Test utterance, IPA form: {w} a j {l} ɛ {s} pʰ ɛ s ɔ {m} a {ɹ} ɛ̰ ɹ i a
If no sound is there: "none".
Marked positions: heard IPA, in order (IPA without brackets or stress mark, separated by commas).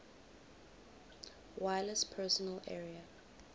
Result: w, l, s, n, l